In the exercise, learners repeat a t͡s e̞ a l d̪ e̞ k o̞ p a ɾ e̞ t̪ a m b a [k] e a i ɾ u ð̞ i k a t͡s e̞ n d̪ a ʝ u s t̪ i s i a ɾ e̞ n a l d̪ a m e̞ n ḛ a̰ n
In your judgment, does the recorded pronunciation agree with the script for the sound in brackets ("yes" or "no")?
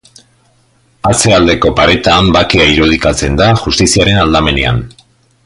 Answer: yes